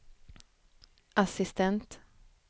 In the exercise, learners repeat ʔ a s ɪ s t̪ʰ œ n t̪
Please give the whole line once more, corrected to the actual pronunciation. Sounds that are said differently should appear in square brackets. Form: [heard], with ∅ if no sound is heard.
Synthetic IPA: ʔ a s ɪ s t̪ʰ [ɛ] n t̪